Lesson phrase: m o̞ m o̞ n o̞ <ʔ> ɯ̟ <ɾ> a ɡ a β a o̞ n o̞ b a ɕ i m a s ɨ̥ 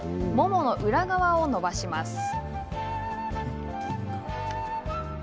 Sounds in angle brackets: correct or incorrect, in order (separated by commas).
correct, correct